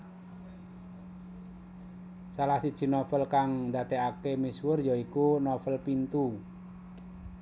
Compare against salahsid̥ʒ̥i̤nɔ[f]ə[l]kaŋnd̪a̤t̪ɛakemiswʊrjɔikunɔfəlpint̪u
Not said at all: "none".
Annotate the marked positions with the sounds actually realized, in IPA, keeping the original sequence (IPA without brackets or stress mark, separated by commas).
f, l